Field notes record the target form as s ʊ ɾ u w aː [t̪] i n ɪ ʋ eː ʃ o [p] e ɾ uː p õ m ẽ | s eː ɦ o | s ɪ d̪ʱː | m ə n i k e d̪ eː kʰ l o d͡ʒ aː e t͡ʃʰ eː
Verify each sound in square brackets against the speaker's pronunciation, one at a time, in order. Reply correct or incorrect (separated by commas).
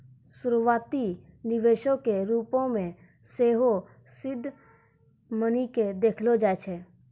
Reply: correct, incorrect